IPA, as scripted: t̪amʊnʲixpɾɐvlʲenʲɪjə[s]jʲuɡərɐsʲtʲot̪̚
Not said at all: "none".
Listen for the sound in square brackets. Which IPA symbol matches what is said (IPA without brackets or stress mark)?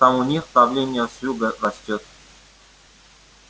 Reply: s